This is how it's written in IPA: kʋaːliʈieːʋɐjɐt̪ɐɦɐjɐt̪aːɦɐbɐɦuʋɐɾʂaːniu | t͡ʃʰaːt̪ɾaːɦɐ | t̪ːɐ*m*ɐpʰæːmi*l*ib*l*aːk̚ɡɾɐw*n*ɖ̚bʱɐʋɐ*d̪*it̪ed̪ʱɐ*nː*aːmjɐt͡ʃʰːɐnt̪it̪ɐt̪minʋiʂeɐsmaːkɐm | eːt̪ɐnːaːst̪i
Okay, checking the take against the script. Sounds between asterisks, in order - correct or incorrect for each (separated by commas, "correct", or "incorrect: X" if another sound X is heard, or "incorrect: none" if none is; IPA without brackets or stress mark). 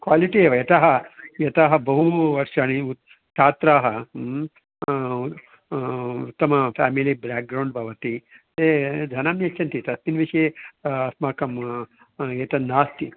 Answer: correct, correct, incorrect: ɾ, incorrect: ɳ, incorrect: t̪, incorrect: n